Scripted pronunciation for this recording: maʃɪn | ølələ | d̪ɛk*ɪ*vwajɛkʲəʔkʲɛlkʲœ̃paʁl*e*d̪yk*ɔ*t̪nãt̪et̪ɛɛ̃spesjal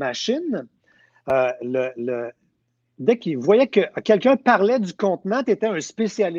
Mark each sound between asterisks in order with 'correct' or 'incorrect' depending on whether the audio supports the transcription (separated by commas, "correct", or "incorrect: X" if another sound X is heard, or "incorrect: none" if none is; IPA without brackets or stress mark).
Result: incorrect: i, incorrect: ɛ, incorrect: ɔ̃